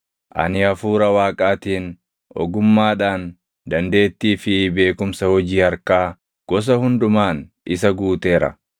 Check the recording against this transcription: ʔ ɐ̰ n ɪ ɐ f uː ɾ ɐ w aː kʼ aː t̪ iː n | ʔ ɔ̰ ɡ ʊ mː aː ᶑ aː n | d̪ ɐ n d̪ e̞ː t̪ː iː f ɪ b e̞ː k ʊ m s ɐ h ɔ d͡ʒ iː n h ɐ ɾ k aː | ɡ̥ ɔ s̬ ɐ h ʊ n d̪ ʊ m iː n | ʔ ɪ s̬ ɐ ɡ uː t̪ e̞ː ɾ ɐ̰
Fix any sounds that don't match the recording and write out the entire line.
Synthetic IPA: ʔ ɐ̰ n ɪ ɐ f uː ɾ ɐ w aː kʼ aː t̪ iː n | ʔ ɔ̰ ɡ ʊ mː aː ᶑ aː n | d̪ ɐ n d̪ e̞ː t̪ː iː f ɪ b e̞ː k ʊ m s ɐ h ɔ d͡ʒ iː h ɐ ɾ k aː | ɡ̥ ɔ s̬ ɐ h ʊ n d̪ ʊ m aː n | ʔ ɪ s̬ ɐ ɡ uː t̪ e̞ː ɾ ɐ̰